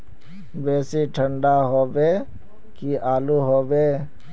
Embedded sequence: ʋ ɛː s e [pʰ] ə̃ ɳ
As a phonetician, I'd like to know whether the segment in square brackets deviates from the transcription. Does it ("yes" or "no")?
yes